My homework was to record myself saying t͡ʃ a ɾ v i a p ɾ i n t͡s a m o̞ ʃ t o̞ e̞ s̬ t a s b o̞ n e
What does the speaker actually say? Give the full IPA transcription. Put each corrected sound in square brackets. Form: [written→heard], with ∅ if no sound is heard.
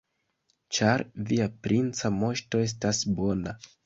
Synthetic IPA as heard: t͡ʃ a ɾ v i a p ɾ i n t͡s a m o̞ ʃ t o̞ e̞ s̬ t a s b o̞ n [e→a]